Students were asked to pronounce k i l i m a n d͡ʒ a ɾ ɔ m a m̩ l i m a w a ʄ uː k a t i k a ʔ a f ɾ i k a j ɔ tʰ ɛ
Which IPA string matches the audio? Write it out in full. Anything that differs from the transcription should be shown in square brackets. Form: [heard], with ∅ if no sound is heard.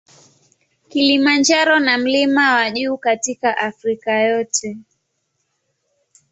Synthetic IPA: k i l i m a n d͡ʒ a ɾ ɔ [n] a m̩ l i m a w a ʄ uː k a t i k a ʔ a f ɾ i k a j ɔ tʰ ɛ